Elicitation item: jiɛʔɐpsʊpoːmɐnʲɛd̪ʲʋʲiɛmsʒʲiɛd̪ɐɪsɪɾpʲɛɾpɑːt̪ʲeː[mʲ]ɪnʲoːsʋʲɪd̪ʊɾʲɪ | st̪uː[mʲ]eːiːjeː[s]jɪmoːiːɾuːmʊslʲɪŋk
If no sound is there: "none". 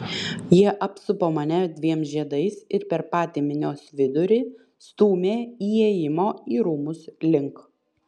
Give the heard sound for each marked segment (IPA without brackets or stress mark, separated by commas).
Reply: mʲ, mʲ, none